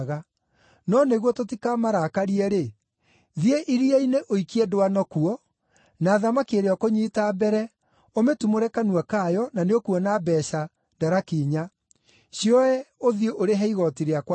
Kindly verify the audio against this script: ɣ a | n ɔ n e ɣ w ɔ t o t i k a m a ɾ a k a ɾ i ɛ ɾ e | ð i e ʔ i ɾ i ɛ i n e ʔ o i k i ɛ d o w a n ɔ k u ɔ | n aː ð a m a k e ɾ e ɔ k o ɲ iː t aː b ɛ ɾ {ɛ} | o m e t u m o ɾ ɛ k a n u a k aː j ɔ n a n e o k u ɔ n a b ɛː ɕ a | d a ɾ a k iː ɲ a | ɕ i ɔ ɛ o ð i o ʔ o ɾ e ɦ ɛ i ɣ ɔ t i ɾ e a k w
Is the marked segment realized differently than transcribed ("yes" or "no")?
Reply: no